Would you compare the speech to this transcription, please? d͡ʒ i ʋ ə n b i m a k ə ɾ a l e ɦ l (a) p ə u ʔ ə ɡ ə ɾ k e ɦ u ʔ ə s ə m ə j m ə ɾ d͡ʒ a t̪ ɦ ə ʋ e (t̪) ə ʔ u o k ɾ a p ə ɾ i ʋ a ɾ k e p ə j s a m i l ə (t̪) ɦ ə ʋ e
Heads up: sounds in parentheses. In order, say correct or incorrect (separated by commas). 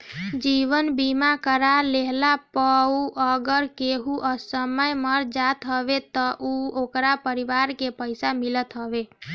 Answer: correct, correct, correct